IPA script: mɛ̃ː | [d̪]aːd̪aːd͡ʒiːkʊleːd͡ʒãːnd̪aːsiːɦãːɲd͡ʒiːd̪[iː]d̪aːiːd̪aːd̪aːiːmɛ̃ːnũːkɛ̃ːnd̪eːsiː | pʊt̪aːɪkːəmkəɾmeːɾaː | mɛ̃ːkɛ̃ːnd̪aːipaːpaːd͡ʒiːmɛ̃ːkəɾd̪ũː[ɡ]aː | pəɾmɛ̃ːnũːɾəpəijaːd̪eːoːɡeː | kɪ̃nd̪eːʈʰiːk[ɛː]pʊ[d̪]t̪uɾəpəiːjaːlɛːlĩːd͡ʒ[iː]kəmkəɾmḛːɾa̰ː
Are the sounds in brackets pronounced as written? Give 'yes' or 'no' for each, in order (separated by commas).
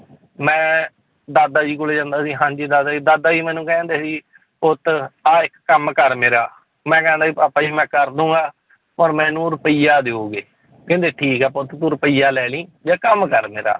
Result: yes, no, yes, yes, no, no